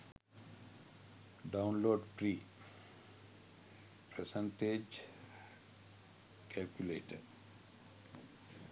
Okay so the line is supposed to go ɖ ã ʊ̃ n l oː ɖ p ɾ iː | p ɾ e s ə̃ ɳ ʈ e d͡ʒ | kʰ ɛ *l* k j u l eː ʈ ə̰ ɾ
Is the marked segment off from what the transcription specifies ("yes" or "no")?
no